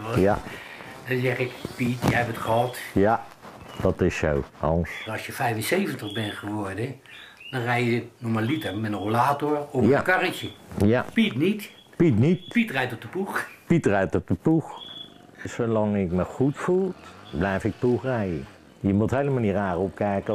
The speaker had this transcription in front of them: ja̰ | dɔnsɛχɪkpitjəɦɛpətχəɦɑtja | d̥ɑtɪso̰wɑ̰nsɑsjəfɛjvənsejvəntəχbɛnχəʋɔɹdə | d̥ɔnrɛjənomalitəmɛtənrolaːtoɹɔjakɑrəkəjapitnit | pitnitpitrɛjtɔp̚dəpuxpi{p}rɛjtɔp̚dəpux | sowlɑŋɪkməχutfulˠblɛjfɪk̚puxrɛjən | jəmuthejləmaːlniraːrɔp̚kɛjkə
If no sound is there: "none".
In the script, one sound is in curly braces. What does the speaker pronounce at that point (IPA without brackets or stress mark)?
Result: t